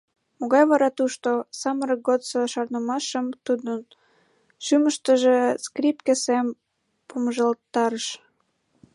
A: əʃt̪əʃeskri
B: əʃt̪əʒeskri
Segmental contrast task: B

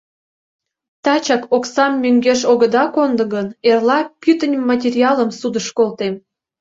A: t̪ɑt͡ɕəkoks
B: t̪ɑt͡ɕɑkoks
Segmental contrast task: B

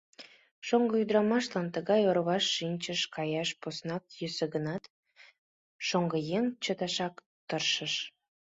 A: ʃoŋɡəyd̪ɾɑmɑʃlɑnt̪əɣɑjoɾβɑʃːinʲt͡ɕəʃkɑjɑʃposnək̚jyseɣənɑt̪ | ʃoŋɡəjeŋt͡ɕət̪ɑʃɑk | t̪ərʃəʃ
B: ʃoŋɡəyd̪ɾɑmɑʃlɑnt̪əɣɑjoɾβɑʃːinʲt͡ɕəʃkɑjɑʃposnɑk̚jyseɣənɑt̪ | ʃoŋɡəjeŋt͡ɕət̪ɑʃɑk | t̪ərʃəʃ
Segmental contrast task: B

